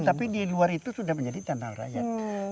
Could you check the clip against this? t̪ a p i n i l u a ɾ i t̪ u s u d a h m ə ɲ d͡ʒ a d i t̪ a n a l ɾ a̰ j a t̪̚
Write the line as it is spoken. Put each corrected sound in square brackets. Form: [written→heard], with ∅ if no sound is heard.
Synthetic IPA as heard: t̪ a p i [n→d] i l u a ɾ i t̪ u s u d a h m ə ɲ d͡ʒ a d i t̪ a n a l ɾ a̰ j a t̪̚